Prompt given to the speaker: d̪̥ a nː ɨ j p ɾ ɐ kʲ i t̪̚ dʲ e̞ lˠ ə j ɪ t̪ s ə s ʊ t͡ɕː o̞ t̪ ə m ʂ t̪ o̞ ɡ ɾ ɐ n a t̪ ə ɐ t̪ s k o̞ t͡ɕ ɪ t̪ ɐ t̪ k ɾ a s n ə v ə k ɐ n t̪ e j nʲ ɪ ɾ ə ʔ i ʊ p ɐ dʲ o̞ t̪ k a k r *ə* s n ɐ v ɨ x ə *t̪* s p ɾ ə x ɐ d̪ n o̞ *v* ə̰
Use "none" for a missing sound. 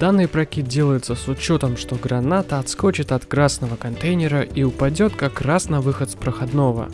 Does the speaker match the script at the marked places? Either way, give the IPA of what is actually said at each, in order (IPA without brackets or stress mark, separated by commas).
a, t̪, v